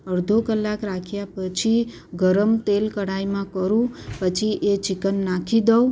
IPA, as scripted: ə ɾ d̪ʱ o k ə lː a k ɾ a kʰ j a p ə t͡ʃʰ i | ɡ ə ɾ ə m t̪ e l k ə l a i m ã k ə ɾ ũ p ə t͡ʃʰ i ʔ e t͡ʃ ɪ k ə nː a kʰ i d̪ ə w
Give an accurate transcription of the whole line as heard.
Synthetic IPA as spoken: ə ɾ d̪ʱ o k ə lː a k ɾ a kʰ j a p ə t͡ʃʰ i | ɡ ə ɾ ə m t̪ e l k ə ɽ a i m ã k ə ɾ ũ p ə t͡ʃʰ i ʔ e t͡ʃ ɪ k ə nː a kʰ i d̪ ə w